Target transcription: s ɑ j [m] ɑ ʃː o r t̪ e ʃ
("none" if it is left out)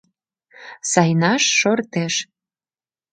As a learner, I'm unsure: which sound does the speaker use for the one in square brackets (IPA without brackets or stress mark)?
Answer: n